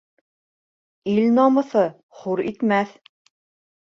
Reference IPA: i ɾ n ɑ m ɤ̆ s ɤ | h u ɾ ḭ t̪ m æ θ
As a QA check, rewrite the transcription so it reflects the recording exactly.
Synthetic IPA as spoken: i l n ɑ m ɤ̆ θ ɤ | χ u ɾ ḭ t̪ m æ θ